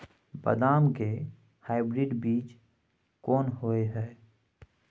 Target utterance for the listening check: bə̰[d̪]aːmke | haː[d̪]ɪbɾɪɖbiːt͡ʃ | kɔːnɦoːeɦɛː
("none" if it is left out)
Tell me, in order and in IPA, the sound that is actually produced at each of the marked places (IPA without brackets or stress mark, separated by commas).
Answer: d̪, none